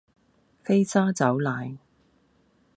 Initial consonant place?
labial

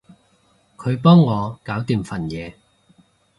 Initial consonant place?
velar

